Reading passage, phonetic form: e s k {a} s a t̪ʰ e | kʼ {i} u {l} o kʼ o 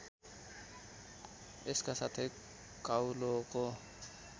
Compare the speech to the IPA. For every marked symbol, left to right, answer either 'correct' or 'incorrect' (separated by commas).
correct, incorrect, correct